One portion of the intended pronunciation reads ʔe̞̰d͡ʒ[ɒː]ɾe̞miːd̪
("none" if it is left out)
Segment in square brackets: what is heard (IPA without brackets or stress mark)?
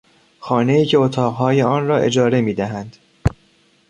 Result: ɒː